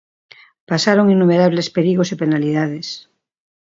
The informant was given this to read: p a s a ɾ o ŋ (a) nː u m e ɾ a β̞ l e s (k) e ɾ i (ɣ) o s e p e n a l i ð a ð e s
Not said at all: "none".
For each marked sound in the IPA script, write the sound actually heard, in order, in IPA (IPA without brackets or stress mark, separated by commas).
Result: i, p, ɣ